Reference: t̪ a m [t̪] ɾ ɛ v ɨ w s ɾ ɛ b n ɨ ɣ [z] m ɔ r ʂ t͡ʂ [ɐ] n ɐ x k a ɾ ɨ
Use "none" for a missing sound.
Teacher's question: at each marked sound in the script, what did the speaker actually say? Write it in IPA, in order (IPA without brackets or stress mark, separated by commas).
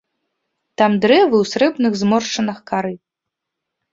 d̪, z, ɐ